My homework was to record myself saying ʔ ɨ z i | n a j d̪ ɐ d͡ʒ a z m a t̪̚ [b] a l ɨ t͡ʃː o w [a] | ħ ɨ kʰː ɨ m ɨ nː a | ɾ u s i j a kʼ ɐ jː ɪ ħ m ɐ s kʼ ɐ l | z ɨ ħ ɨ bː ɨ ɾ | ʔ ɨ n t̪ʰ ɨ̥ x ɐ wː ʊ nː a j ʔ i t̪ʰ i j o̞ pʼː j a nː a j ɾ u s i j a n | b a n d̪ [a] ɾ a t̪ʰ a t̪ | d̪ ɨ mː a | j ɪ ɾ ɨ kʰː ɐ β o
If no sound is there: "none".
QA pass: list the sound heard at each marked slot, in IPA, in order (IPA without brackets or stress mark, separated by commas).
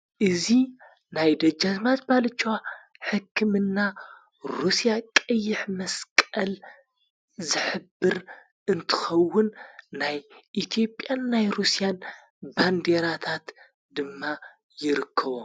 b, a, e